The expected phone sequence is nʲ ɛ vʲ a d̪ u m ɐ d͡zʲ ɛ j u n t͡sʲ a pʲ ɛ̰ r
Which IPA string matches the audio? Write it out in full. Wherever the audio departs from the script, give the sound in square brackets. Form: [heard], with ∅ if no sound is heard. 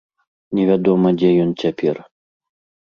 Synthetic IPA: nʲ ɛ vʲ a d̪ [ɔ] m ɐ d͡zʲ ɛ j [ɔ] n t͡sʲ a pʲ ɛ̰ r